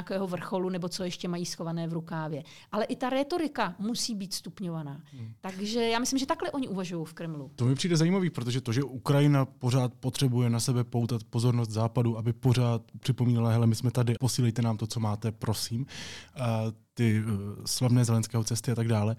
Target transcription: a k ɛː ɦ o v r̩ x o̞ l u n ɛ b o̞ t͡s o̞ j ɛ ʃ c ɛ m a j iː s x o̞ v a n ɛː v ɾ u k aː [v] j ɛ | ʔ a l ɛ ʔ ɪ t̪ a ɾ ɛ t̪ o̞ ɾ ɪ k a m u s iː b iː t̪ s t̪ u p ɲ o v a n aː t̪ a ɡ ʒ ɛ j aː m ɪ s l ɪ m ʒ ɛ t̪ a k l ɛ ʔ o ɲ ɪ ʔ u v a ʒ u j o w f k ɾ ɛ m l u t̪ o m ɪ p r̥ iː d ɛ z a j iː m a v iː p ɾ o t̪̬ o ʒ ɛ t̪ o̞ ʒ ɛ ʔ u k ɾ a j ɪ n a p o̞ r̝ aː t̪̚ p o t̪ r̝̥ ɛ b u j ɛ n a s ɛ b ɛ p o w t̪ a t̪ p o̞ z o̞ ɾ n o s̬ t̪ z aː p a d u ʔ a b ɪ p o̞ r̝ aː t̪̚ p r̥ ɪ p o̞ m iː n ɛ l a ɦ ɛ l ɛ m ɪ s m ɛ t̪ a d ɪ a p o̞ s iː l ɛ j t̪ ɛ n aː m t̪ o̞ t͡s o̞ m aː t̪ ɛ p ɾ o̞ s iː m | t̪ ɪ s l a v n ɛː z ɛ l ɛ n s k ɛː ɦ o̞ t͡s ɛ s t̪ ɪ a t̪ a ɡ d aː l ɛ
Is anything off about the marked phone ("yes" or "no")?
no